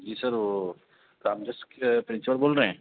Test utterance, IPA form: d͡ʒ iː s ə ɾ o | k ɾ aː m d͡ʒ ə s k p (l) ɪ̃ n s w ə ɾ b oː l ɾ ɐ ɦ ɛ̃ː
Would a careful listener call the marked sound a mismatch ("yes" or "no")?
yes